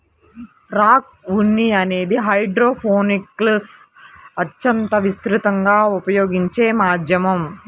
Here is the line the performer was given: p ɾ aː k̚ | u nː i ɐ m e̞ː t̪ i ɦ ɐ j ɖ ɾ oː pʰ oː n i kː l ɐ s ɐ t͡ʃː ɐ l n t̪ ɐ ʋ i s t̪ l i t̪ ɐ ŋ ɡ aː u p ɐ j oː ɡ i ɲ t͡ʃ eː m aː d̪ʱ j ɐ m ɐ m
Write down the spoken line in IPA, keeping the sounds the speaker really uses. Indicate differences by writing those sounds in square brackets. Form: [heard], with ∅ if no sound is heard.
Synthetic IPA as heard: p ɾ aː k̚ | u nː i ɐ [n] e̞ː [d̪] i ɦ ɐ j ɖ ɾ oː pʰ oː n i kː l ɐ s ɐ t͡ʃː ɐ [∅] n t̪ ɐ ʋ i s t̪ [ɾ] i t̪ ɐ ŋ ɡ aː u p ɐ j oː ɡ i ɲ t͡ʃ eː m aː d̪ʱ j ɐ m ɐ m